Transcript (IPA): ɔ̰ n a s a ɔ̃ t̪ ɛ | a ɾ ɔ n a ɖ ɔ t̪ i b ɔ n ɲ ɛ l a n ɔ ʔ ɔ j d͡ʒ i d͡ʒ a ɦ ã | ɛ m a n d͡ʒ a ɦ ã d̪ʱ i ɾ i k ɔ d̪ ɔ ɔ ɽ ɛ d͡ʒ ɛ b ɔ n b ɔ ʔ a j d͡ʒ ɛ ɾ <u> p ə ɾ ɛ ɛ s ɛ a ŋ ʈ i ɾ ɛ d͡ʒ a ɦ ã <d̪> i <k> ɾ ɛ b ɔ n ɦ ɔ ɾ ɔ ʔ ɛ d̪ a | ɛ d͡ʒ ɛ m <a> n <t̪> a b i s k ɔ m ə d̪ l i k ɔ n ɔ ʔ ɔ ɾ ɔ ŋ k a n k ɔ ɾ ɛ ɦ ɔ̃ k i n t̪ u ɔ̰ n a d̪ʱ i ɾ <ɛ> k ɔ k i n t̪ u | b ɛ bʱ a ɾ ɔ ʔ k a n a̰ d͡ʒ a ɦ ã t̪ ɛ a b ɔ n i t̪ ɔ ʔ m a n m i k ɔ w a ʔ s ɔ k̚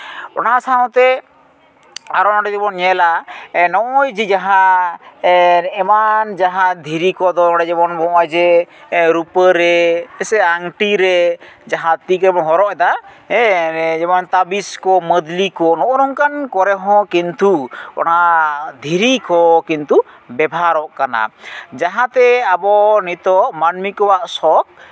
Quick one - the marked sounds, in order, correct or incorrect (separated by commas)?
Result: correct, incorrect, correct, correct, correct, incorrect